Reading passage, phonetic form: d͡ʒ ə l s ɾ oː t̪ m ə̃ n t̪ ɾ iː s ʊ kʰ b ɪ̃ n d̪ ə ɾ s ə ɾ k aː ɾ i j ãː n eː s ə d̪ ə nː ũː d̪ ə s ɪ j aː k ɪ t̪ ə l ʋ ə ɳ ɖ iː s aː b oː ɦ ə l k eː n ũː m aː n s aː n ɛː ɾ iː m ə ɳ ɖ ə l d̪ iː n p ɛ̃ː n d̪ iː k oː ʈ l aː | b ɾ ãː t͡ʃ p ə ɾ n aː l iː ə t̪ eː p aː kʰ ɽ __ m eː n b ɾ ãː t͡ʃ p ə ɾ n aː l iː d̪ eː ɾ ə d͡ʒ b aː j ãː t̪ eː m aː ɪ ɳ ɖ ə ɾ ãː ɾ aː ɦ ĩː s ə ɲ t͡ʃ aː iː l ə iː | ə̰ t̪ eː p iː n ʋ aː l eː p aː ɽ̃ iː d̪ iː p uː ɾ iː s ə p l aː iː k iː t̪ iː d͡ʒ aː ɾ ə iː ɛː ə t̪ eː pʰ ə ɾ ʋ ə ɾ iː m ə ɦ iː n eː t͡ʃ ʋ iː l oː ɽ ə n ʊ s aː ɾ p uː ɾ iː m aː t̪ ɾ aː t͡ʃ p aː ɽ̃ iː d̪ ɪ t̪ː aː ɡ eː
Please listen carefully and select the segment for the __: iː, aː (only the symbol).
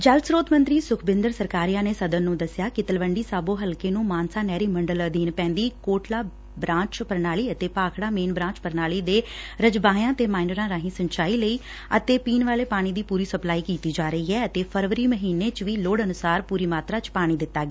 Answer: aː